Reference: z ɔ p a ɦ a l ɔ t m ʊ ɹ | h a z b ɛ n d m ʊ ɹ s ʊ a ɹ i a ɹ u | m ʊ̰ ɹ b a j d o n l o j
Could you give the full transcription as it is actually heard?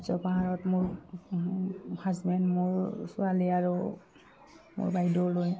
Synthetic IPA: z ɔ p a ɦ a ɹ ɔ t m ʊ ɹ | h a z b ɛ n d m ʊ ɹ s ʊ a l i a ɹ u | m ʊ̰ ɹ b a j d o l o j